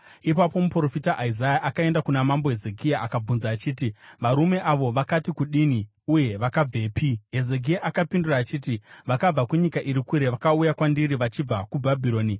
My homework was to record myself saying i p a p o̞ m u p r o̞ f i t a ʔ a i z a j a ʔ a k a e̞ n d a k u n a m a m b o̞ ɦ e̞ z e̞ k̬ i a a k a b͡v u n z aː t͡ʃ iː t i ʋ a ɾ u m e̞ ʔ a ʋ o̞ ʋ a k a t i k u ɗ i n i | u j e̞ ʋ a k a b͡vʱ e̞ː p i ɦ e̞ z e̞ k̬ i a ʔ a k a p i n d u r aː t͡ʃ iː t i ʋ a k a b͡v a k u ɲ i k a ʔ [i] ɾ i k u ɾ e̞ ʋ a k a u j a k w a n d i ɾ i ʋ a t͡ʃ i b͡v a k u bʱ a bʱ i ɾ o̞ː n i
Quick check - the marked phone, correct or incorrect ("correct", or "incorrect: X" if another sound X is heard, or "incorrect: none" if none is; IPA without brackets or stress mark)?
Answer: correct